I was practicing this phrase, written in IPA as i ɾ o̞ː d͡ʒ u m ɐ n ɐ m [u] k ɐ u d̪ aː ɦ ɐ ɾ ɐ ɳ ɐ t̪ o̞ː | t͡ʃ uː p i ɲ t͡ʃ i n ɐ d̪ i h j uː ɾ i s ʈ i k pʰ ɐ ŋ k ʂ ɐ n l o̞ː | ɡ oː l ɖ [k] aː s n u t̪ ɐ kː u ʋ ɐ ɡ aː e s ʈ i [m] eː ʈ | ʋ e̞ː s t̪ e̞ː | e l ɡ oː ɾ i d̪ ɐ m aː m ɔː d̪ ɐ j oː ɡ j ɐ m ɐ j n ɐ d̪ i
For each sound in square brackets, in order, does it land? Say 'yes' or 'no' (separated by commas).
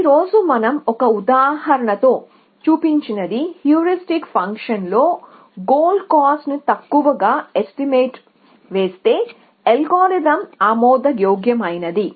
no, yes, yes